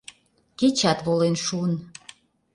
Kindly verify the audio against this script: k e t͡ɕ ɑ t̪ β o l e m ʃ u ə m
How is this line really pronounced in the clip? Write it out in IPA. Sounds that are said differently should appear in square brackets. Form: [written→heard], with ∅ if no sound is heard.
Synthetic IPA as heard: k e t͡ɕ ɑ t̪ β o l e [m→n] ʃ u ə [m→n]